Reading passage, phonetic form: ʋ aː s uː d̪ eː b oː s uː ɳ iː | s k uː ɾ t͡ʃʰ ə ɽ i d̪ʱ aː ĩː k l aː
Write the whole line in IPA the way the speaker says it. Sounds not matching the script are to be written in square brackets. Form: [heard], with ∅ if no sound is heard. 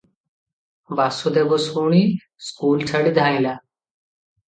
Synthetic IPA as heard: ʋ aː s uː d̪ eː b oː s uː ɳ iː | s k uː [l] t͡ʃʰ ə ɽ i d̪ʱ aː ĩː [∅] l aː